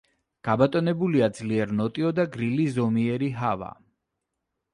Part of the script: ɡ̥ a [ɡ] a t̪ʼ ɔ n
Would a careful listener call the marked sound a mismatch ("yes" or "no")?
yes